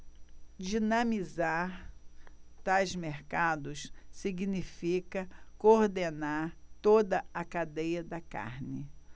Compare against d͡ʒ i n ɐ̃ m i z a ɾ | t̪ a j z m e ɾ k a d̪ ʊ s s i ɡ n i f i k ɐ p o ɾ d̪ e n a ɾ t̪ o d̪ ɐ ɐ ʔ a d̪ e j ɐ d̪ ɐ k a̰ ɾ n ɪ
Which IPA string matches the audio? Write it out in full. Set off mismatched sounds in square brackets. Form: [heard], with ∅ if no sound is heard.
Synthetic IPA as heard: d͡ʒ i n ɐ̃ m i z a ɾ | t̪ a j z m e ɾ k a d̪ ʊ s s i ɡ n i f i k ɐ [k] o ɾ d̪ e n a ɾ t̪ o d̪ ɐ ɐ [k] a d̪ e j ɐ d̪ ɐ k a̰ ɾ n ɪ